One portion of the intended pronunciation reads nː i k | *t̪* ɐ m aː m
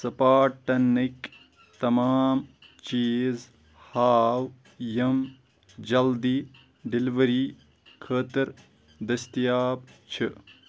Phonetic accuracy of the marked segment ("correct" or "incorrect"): correct